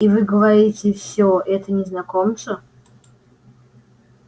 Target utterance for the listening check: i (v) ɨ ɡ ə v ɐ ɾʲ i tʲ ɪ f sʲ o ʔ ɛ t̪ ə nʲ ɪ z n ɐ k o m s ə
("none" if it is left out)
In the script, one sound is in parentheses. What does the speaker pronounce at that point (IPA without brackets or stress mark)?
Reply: v